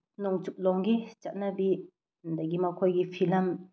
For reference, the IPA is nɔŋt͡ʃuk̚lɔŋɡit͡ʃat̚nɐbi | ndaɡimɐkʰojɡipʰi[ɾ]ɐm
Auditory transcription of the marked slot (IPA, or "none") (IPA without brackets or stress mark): l